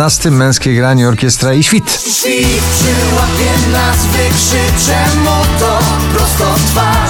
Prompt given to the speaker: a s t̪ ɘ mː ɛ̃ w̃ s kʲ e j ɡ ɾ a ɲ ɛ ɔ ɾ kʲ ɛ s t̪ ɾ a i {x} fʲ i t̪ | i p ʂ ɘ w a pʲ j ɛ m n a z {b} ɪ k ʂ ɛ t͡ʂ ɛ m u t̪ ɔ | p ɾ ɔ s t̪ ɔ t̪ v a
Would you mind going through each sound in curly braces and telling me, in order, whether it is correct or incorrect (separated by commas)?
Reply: incorrect, incorrect